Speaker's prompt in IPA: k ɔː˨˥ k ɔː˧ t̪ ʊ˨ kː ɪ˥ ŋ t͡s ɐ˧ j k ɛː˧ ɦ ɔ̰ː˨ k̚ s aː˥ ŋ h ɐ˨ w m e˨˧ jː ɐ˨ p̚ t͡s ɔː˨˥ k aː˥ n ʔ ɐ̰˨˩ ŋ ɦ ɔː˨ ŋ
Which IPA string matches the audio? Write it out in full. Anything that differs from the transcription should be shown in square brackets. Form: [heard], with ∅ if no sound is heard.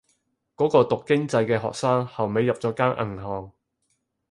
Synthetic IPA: k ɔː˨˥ k ɔː˧ t̪ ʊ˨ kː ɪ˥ ŋ t͡s ɐ˧ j k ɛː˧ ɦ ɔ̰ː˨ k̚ s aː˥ ŋ h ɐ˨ w m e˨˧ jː ɐ˨ p̚ t͡s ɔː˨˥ k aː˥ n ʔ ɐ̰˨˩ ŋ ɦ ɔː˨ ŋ